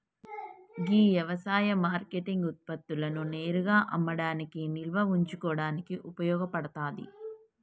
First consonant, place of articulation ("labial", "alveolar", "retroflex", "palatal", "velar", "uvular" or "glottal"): velar